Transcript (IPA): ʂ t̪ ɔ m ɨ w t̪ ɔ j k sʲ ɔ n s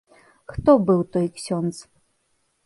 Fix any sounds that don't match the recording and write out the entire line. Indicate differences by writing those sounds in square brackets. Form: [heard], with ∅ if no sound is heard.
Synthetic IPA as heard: [x] t̪ ɔ [b] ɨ w t̪ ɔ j k sʲ ɔ n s